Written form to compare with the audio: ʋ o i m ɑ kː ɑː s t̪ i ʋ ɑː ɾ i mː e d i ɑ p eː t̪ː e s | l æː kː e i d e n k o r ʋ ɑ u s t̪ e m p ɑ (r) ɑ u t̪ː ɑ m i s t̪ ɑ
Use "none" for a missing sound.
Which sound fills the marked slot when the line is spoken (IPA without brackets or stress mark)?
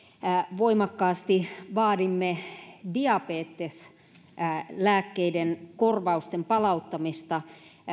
l